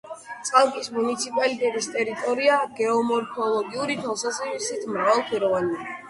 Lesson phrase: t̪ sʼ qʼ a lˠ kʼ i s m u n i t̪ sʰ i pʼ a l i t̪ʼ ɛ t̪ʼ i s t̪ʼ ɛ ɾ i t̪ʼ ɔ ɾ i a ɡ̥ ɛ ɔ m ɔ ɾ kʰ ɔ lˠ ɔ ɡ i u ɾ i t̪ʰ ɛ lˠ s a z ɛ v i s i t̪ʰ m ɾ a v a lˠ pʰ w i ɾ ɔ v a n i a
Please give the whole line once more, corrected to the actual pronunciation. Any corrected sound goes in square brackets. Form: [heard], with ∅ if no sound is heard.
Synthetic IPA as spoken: t̪ sʼ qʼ a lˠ kʼ i s m u n i t̪ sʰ i pʼ a l i t̪ʼ ɛ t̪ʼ i s t̪ʼ ɛ ɾ i t̪ʼ ɔ ɾ i a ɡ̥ ɛ ɔ m ɔ ɾ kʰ ɔ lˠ ɔ ɡ i u ɾ i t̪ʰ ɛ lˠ s a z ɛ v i s i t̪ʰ m ɾ a v a lˠ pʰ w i ɾ ɔ v a n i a